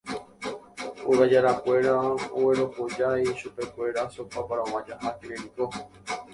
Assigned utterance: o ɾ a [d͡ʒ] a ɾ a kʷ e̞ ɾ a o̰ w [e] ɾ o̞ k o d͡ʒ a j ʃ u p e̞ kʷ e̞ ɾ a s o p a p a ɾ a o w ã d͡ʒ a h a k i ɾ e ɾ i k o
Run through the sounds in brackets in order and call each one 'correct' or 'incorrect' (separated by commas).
correct, correct